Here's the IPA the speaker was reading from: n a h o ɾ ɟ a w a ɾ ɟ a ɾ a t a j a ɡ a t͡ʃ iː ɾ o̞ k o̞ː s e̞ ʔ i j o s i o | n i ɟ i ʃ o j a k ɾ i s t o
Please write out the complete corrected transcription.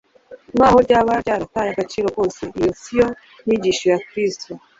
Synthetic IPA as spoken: m a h o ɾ ɟ a β a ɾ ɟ a ɾ a t a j a ɡ a t͡ʃ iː ɾ o̞ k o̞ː s e̞ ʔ i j o s i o | n i ɟ i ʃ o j a k ɾ i s t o